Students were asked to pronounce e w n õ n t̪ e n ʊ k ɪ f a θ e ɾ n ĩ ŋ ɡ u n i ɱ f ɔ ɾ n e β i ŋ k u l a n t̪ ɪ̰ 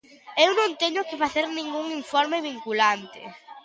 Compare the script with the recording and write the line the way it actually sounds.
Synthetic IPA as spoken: e w n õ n t̪ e ɲ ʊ k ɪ f a θ e ɾ n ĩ ŋ ɡ u ŋ i ɱ f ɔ ɾ m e β i ŋ k u l a n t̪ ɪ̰